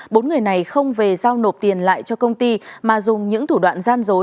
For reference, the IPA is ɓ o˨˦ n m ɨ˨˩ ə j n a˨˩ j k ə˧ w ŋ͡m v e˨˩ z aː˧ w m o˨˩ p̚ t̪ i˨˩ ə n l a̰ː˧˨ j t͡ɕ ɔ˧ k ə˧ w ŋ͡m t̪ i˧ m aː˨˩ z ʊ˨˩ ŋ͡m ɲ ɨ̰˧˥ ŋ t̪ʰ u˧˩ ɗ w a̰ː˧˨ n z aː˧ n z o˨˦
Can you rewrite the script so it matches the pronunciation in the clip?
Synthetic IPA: ɓ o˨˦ n ŋ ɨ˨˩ ə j n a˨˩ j x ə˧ w ŋ͡m v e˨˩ z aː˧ w n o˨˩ p̚ t̪ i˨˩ ə n l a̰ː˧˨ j t͡ɕ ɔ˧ k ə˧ w ŋ͡m t̪ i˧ m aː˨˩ z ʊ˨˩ ŋ͡m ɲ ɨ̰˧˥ ŋ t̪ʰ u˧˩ ɗ w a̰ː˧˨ n z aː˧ n z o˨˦